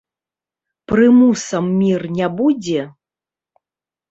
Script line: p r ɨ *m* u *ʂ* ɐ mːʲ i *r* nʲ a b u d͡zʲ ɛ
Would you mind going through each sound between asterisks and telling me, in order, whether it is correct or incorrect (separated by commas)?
correct, incorrect, correct